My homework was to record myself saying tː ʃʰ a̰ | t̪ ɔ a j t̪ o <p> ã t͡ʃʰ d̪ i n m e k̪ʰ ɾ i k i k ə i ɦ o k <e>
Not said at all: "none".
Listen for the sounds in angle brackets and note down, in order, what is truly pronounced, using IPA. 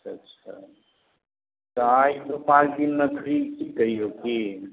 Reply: p, i

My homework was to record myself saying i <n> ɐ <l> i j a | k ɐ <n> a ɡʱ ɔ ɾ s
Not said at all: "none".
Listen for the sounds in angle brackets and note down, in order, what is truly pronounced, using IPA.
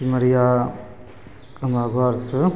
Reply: m, ɾ, m

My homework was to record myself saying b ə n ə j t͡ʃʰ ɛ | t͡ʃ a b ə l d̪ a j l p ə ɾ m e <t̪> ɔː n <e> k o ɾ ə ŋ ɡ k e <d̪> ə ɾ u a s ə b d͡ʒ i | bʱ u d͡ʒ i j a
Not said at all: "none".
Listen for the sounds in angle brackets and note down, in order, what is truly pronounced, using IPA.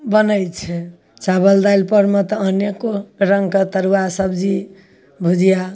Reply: t̪, e, t̪

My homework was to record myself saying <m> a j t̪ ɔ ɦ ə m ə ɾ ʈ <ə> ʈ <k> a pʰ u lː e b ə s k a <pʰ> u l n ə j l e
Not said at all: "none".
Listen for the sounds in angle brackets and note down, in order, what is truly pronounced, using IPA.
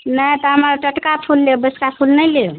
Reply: n, ə, k, pʰ

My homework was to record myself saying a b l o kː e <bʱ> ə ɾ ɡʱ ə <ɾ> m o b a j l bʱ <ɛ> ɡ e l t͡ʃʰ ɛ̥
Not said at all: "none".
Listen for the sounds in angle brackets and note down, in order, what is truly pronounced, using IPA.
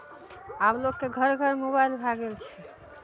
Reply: ɡʱ, ɾ, a

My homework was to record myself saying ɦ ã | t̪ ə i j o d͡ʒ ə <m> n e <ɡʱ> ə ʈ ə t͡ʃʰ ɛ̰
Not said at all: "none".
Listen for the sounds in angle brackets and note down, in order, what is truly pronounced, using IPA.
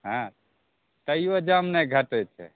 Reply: m, ɡʱ

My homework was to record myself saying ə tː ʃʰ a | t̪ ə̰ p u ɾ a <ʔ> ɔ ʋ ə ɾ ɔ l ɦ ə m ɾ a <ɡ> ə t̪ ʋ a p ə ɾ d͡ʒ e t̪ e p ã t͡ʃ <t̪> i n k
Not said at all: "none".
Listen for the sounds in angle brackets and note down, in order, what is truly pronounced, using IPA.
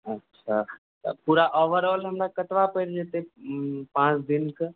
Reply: ʔ, k, d̪

